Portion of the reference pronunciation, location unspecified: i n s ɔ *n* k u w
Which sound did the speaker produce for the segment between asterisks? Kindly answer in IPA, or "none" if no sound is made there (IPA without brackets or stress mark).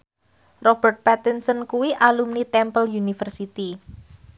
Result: n